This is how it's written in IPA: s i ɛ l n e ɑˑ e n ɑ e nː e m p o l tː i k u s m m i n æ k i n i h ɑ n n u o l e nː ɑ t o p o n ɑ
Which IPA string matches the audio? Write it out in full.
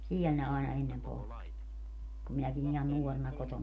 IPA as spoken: s i ɛ l n e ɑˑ e n ɑ e nː e m p o l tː i k u m m i n æ k i n i h ɑ n n u o r e n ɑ k o t o n ɑ